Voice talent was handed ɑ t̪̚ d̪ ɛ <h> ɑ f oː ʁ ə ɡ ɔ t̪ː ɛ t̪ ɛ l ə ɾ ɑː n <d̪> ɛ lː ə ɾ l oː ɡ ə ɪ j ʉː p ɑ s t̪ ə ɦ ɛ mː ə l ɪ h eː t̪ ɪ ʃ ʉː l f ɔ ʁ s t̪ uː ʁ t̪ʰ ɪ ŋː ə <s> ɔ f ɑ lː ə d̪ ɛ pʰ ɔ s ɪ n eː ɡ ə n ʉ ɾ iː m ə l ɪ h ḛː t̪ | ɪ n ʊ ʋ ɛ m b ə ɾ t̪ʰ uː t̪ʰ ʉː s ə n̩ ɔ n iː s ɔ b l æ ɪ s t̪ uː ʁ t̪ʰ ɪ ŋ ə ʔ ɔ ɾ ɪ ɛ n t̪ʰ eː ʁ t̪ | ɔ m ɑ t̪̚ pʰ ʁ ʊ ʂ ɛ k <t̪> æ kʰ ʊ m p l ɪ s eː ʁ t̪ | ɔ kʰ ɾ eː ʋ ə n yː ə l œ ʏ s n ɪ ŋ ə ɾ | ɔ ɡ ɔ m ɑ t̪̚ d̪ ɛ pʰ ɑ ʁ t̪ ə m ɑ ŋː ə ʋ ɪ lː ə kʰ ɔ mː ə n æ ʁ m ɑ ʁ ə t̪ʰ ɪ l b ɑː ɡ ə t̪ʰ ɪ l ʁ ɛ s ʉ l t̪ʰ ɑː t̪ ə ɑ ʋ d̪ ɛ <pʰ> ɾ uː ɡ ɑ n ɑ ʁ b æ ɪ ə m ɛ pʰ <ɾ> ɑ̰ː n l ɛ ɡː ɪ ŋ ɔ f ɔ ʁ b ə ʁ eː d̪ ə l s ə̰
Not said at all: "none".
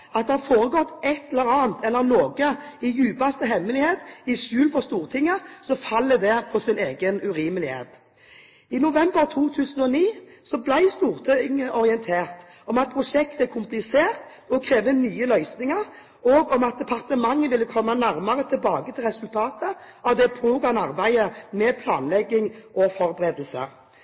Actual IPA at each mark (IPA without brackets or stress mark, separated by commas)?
h, t̪, s, t̪, pʰ, l